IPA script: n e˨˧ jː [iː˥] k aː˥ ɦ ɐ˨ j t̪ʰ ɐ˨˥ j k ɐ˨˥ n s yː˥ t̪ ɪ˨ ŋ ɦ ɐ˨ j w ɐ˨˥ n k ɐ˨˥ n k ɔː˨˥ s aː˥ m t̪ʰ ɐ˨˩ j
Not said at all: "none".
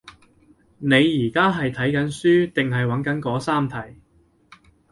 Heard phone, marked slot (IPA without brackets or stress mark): iː˨˩